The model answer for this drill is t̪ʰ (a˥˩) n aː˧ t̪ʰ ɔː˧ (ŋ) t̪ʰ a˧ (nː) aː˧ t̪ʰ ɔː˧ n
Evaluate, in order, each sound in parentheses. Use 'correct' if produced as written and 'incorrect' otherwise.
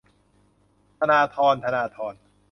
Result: incorrect, incorrect, incorrect

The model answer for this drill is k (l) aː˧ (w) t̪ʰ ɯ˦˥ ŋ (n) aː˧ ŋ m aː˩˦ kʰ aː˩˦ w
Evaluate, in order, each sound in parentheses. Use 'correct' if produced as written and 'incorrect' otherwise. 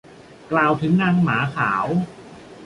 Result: correct, correct, correct

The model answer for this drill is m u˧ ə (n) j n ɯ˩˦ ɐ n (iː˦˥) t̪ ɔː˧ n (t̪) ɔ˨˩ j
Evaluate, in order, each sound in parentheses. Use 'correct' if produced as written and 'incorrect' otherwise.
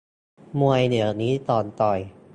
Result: incorrect, correct, correct

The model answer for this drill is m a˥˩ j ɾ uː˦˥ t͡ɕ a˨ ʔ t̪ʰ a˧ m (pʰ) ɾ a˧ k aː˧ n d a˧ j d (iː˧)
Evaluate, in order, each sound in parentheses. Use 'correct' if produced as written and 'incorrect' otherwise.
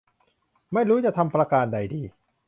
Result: incorrect, correct

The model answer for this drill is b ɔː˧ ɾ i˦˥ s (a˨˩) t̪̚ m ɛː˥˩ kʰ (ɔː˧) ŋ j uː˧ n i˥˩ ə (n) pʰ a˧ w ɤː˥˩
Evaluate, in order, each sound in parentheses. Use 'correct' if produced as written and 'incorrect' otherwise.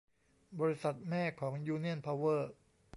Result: correct, incorrect, correct

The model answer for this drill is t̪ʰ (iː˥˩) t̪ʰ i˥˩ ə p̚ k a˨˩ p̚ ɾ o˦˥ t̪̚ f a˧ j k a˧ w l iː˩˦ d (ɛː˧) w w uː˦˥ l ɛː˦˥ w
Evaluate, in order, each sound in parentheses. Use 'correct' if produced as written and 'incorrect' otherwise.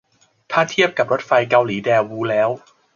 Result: incorrect, correct

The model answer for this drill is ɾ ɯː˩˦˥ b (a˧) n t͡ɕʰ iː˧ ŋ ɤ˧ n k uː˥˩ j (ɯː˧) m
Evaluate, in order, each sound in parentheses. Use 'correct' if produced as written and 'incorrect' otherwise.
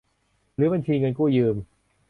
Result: correct, correct

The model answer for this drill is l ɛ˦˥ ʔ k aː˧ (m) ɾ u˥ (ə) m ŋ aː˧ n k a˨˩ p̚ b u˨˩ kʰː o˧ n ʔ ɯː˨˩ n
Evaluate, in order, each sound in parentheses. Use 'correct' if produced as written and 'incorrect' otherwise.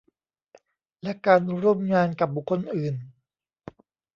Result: incorrect, correct

